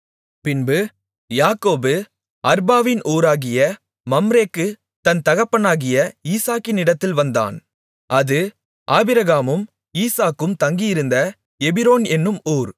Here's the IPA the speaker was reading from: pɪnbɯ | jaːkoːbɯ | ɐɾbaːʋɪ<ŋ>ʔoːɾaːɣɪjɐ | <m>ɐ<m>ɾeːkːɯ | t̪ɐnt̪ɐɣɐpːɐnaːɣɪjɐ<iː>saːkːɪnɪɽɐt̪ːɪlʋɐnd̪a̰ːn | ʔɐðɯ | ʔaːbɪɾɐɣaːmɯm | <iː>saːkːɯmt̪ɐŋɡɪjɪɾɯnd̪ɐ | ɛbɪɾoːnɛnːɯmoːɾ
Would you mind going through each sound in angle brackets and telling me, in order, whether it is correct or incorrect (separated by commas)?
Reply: incorrect, correct, correct, correct, correct